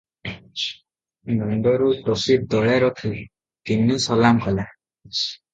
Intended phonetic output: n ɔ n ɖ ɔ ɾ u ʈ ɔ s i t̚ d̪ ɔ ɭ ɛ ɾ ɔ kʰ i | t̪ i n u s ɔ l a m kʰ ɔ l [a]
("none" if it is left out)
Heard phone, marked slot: a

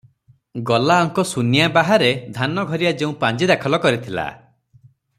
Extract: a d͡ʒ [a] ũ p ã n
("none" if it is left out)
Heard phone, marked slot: e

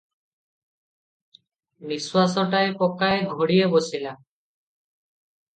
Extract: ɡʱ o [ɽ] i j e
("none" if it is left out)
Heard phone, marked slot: ɽ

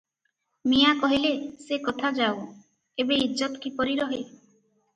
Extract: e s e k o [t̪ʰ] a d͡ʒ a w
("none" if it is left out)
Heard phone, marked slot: t̪ʰ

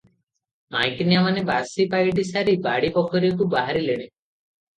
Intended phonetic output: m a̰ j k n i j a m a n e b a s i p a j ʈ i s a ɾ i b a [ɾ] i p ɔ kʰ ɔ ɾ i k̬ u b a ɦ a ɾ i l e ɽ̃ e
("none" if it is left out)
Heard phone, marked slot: ɽ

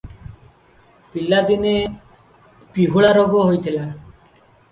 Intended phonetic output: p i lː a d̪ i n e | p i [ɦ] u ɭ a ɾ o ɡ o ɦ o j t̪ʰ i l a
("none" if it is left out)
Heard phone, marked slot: ɦ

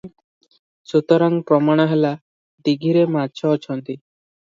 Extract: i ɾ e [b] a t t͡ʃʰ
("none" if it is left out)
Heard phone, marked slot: m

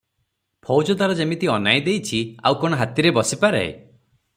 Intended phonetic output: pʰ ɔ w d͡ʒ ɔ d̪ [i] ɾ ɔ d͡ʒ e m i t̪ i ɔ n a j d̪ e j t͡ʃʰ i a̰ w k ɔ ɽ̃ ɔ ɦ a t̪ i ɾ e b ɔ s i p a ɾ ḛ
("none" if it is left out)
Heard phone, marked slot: a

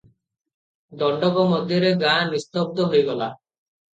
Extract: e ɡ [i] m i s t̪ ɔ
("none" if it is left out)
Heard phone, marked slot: a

